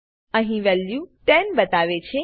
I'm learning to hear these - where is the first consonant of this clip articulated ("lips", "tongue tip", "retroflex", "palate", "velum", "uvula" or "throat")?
throat